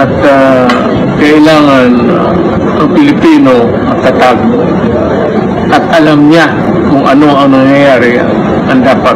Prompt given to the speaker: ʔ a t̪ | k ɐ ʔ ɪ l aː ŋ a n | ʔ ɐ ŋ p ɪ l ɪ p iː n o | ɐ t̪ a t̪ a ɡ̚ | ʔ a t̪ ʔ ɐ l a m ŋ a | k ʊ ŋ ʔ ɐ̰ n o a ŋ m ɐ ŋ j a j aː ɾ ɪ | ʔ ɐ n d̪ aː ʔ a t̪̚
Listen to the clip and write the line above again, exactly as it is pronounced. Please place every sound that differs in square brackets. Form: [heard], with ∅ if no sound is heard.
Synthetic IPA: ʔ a t̪ | k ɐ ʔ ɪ l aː ŋ a n | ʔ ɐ ŋ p ɪ l ɪ p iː n o | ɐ t̪ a t̪ a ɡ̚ | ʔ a t̪ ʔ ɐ l a m [ɲ] a | k ʊ ŋ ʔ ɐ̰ n o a ŋ [n] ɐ ŋ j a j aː ɾ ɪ | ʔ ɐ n d̪ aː [p] a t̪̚